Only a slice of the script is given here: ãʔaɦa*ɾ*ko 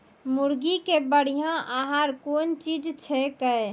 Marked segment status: correct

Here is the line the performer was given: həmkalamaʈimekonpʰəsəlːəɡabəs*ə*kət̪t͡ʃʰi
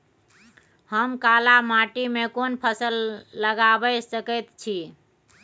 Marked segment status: correct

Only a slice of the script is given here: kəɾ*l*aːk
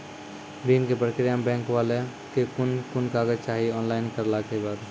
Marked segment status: correct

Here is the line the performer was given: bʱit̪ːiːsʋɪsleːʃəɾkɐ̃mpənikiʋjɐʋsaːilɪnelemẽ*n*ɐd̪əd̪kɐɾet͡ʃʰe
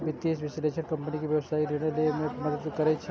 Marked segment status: incorrect: m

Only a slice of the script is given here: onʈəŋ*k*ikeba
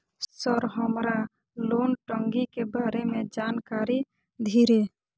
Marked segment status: incorrect: ɡ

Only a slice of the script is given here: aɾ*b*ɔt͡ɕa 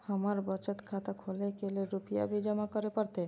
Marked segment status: correct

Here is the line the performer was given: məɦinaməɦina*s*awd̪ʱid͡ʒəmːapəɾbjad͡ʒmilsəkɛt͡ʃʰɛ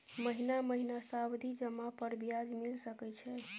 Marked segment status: correct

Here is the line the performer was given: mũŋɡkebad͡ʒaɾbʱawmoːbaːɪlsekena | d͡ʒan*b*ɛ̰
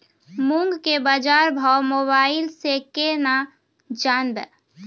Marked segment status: correct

